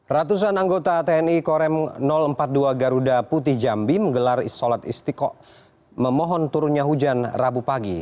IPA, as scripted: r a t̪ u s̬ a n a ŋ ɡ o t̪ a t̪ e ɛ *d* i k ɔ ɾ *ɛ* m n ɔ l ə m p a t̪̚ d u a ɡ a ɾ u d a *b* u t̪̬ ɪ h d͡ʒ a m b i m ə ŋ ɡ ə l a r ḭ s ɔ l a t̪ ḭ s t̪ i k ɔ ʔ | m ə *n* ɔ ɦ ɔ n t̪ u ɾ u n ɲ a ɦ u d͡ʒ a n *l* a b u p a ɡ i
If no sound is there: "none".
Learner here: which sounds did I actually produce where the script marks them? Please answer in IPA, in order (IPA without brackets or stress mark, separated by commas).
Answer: n, ɛ, p, m, r